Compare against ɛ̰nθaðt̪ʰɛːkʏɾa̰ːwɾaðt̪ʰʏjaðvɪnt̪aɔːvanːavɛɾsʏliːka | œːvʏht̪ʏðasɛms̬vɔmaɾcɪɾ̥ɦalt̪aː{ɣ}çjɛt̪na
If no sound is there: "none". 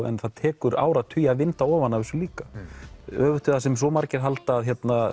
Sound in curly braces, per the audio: ð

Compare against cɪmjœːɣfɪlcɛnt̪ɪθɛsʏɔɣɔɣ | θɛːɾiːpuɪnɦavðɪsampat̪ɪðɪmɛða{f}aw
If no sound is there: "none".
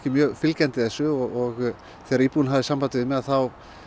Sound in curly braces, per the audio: θ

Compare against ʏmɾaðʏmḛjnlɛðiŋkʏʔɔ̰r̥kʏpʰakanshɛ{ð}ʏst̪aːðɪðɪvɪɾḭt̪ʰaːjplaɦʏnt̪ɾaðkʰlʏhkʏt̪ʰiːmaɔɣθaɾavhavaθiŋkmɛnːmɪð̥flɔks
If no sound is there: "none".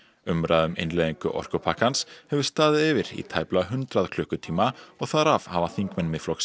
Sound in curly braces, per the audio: v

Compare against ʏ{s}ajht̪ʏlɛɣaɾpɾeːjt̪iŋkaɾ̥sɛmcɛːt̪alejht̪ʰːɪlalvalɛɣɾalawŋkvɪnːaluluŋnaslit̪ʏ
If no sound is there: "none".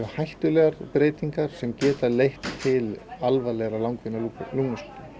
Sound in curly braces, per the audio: h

